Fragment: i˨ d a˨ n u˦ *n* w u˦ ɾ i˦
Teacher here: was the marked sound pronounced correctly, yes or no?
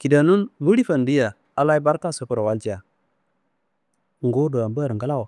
yes